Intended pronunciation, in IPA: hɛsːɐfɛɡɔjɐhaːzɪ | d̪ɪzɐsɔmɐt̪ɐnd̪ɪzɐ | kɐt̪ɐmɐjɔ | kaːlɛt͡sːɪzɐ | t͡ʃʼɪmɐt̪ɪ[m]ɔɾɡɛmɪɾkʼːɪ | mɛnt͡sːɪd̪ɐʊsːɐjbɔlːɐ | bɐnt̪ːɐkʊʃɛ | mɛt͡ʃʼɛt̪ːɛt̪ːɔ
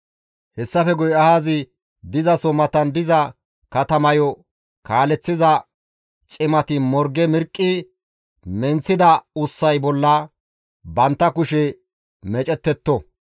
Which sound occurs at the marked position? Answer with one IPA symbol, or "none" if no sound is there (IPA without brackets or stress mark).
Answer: m